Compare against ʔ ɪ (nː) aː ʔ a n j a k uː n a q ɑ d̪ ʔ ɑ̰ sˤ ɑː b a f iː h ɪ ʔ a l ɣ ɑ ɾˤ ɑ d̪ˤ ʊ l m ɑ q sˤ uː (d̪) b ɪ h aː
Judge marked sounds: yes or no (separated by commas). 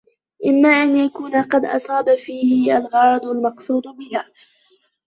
no, yes